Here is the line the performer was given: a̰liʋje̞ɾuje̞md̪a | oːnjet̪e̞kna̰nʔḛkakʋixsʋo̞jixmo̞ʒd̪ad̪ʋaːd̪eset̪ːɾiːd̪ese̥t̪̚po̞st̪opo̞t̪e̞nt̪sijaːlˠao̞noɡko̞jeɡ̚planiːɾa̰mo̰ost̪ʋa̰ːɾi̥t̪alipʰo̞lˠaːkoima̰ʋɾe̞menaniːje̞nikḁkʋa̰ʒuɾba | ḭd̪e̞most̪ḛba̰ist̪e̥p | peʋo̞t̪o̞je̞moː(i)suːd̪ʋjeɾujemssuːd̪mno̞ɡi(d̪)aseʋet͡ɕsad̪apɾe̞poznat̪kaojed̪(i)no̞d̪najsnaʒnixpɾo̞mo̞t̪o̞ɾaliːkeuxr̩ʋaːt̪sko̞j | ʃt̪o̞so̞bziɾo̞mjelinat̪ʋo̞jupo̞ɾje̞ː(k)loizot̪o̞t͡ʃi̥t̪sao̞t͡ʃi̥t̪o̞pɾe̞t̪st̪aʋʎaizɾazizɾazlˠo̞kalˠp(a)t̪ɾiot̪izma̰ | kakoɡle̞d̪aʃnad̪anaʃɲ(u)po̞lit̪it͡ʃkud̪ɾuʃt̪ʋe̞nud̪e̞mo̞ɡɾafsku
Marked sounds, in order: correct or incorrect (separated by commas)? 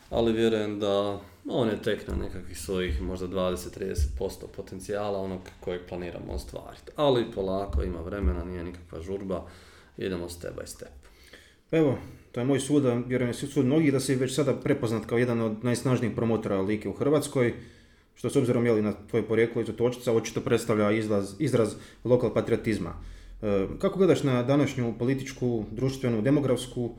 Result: incorrect, correct, incorrect, correct, correct, correct